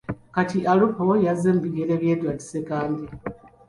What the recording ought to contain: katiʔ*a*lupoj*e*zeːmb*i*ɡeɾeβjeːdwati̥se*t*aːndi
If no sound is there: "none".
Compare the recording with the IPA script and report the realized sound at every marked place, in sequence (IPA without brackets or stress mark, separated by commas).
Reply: a, a, i, k